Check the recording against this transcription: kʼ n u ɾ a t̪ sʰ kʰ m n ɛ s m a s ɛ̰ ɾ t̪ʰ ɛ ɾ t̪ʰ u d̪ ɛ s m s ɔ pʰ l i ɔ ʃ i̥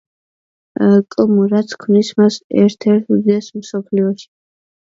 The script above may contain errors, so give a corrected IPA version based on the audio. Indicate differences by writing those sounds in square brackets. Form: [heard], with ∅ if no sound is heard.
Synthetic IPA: kʼ [m] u ɾ a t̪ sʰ kʰ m n [i] s m a s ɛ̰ ɾ t̪ʰ ɛ ɾ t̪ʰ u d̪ ɛ s m s ɔ pʰ l i ɔ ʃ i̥